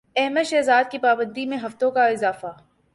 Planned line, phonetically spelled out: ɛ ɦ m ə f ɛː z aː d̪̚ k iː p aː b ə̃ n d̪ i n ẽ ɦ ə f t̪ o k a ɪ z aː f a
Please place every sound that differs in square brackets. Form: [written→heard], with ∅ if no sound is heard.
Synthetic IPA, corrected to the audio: ɛ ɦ m ə [f→ʃ] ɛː z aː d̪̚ k [iː→i] p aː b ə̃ n d̪ i [n→m] ẽ ɦ [ə→ɐ] f t̪ [o→õ] k a ɪ z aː f a